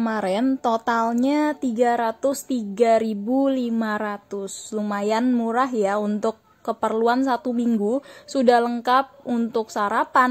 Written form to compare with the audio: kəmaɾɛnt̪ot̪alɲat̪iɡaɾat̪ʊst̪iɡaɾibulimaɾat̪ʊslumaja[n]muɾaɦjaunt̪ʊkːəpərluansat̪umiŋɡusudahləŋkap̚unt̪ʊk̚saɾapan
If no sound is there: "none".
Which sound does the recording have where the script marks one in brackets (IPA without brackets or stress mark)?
n